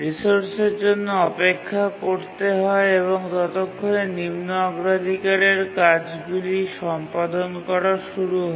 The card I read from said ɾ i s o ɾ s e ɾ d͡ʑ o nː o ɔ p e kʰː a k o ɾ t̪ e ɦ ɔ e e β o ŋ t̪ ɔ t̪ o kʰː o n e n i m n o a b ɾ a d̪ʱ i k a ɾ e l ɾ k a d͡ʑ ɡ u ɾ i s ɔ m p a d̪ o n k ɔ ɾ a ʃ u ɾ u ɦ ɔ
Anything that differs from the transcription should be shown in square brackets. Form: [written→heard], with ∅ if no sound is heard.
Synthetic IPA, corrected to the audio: ɾ i s o ɾ s e ɾ d͡ʑ o nː o ɔ p e kʰː a k o ɾ t̪ e ɦ ɔ e e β o ŋ t̪ ɔ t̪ o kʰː o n e n i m n o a [b→ɡ] ɾ a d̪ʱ i k a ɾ e [l→∅] ɾ k a d͡ʑ ɡ u [ɾ→l] i [s→ʃ] ɔ m p a d̪ o n k ɔ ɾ a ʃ u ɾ u ɦ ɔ